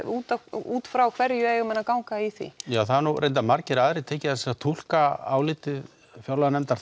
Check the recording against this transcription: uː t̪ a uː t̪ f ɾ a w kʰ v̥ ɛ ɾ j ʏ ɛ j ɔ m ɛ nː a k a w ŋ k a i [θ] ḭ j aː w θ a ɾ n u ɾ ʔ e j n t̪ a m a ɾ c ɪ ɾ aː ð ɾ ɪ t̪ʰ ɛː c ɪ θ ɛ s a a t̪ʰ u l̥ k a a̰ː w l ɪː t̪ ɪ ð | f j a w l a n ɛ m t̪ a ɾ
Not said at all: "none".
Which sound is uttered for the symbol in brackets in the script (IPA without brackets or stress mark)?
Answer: θ